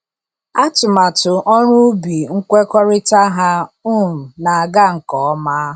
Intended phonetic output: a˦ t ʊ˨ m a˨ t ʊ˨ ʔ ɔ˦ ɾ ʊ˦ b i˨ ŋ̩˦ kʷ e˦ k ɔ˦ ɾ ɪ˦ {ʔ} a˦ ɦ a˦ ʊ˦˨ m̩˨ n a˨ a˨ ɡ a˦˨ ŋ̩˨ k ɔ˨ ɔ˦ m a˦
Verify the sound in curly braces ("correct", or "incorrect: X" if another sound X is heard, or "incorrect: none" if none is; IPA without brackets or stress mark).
incorrect: t